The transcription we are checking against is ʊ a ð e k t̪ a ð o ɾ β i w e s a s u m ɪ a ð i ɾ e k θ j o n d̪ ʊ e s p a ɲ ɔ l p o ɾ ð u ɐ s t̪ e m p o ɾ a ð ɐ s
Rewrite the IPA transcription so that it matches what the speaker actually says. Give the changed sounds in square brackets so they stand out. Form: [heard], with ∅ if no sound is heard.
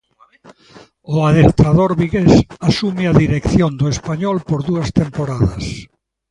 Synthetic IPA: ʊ a ð e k t̪ a ð o ɾ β i [ɣ] e s a s u m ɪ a ð i ɾ e k θ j o n d̪ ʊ e s p a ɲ ɔ l p o ɾ ð u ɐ s t̪ e m p o ɾ a ð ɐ s